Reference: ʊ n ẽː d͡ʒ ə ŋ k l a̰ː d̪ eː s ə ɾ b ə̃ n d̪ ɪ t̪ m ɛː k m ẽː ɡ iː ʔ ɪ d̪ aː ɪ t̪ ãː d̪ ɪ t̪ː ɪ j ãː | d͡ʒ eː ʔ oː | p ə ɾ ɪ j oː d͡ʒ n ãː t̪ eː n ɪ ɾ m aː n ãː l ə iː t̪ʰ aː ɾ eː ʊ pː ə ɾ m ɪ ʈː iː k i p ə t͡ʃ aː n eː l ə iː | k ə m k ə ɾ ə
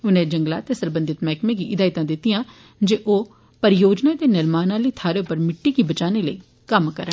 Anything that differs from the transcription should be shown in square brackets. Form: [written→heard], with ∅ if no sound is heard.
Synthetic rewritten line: ʊ n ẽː d͡ʒ ə ŋ [k→ɡ] l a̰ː [d̪→t̪] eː s ə ɾ b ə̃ n d̪ ɪ t̪ m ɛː k m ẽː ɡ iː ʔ ɪ d̪ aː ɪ t̪ ãː d̪ ɪ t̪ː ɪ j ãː | d͡ʒ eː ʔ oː | p ə ɾ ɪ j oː d͡ʒ n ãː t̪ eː n ɪ ɾ m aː n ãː l ə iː t̪ʰ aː ɾ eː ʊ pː ə ɾ m ɪ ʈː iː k i [p→b] ə t͡ʃ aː n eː l ə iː | k ə m k ə ɾ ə